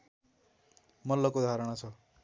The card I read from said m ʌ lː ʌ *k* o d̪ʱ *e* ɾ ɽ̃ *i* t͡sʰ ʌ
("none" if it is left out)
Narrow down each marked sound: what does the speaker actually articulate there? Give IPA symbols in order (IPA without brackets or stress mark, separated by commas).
k, a, a